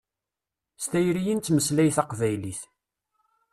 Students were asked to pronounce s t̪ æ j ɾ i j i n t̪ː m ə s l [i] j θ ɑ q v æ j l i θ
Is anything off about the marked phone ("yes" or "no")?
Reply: yes